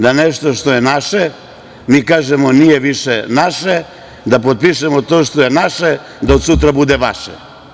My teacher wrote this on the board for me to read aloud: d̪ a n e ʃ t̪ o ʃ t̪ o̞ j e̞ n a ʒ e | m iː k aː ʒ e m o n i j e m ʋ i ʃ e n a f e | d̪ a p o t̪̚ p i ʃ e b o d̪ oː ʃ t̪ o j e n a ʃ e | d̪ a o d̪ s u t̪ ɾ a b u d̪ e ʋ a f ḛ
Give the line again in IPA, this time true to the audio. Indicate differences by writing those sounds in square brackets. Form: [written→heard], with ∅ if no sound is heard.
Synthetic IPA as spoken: d̪ a n e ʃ t̪ o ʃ t̪ o̞ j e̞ n a [ʒ→ʃ] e | m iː k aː ʒ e m o n i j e [m→∅] ʋ i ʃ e n a [f→ʃ] e | d̪ a p o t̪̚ p i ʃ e [b→m] o [d̪→t̪] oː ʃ t̪ o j e n a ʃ e | d̪ a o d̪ s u t̪ ɾ a b u d̪ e ʋ a [f→ʃ] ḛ

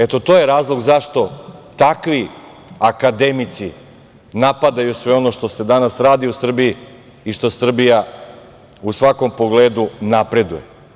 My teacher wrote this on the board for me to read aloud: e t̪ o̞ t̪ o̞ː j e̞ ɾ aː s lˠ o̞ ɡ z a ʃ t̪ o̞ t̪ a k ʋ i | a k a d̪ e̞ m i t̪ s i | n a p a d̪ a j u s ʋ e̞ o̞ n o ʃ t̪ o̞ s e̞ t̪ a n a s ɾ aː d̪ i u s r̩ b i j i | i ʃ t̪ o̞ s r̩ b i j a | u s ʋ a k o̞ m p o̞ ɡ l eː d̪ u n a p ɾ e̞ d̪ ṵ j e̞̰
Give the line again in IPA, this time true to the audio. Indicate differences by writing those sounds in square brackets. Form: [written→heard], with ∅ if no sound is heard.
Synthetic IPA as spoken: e t̪ o̞ t̪ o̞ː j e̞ ɾ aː [s→z] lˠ o̞ ɡ z a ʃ t̪ o̞ t̪ a k ʋ i | a k a d̪ e̞ m i t̪ s i | n a p a d̪ a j u s ʋ e̞ o̞ n o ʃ t̪ o̞ s e̞ [t̪→d̪] a n a s ɾ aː d̪ i u s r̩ b i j i | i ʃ t̪ o̞ s r̩ b i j a | u s ʋ a k o̞ m p o̞ ɡ l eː d̪ u n a p ɾ e̞ d̪ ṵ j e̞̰

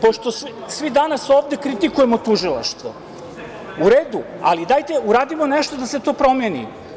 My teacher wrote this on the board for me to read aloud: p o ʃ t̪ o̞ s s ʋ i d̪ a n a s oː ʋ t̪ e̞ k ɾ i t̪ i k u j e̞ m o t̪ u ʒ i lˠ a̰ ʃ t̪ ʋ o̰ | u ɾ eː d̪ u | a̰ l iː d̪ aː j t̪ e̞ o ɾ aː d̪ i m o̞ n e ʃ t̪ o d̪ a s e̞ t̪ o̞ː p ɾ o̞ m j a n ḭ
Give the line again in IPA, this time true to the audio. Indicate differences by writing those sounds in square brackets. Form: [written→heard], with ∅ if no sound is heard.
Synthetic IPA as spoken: p o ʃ t̪ o̞ s s ʋ i d̪ a n a s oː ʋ [t̪→d̪] e̞ k ɾ i t̪ i k u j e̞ m o t̪ u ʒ i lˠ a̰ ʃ t̪ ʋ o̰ | u ɾ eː d̪ u | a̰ l [iː→i] d̪ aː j t̪ e̞ [o→u] ɾ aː d̪ i m o̞ n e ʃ t̪ o d̪ a s e̞ t̪ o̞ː p ɾ o̞ m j [a→e] n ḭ

